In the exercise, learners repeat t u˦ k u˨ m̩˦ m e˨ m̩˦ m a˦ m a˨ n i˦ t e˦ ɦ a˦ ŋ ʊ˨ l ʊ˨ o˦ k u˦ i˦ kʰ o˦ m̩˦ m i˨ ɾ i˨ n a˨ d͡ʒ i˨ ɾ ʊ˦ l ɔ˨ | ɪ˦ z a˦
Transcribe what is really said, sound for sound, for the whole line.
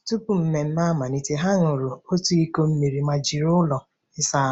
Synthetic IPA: t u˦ p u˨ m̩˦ m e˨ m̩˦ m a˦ m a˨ n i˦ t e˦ ɦ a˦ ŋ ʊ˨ ɾ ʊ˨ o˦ t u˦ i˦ k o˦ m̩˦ m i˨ ɾ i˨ m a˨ d͡ʒ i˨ ɾ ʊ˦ l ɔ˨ | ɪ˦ s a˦